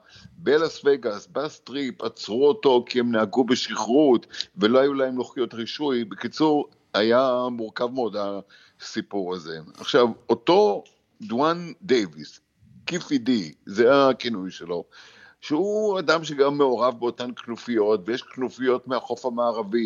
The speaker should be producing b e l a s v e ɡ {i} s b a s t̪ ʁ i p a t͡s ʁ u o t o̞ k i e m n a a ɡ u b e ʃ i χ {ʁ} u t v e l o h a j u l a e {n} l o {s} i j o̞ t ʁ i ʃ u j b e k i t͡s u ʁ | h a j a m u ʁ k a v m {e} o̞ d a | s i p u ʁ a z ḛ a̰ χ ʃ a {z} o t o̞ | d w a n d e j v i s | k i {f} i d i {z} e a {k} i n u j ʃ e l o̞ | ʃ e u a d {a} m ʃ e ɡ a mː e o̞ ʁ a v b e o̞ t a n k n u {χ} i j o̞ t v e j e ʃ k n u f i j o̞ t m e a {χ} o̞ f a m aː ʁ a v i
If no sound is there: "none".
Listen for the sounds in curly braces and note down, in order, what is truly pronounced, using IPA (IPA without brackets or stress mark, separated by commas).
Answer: a, ʁ, m, χ, e, v, f, z, k, a, f, χ